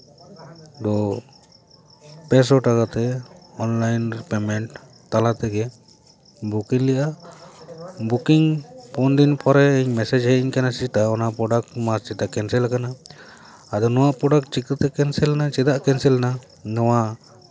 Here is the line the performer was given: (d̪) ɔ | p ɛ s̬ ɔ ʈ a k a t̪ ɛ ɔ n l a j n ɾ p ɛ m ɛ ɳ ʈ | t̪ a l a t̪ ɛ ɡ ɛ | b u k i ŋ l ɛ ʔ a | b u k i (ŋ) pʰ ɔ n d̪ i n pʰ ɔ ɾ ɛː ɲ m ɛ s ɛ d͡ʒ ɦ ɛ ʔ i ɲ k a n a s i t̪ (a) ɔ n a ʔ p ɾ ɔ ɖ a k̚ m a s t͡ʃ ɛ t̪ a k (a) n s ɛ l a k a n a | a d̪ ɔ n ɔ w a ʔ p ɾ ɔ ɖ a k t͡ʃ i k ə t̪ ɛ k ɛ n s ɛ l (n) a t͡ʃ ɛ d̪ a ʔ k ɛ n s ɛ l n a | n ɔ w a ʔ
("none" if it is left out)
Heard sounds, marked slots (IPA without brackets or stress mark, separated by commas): d̪, ŋ, a, ɛ, n